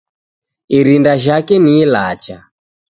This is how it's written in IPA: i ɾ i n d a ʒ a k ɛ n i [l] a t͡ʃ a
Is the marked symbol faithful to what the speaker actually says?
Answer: yes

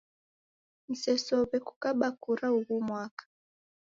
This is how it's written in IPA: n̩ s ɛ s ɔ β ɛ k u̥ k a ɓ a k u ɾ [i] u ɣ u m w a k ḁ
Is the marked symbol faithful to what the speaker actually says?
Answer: no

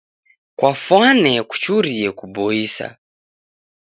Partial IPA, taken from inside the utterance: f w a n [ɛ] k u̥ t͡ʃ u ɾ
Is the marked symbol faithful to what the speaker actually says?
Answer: yes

